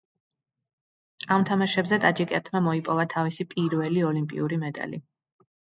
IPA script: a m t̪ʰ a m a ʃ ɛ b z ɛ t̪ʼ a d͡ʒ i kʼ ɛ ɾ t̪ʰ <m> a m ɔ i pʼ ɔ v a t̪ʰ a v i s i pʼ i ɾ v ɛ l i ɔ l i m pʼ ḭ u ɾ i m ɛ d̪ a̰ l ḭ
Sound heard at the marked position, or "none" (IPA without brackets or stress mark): m